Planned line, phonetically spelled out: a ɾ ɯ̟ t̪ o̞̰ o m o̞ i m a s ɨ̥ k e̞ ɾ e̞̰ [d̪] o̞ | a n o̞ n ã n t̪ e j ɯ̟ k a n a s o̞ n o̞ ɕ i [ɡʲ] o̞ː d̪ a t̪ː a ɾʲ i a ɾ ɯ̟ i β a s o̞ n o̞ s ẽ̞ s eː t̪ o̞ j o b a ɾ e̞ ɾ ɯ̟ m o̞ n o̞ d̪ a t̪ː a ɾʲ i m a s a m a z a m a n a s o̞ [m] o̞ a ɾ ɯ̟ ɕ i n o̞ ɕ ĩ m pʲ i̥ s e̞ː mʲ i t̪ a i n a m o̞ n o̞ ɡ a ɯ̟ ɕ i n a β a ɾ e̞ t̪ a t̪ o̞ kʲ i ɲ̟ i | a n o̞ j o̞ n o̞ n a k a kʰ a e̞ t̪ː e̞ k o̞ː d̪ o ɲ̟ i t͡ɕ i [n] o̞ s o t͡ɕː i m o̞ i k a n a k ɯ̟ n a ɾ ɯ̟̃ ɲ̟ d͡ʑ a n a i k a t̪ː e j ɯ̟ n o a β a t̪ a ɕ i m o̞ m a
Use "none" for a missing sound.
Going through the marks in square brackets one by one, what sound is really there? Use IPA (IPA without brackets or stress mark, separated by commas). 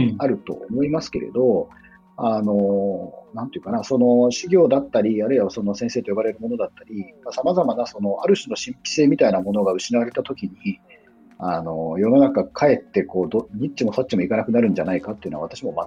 d̪, ɡʲ, n, m